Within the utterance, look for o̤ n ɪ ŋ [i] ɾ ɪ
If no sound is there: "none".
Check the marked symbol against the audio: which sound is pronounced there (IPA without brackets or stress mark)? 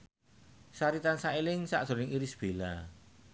i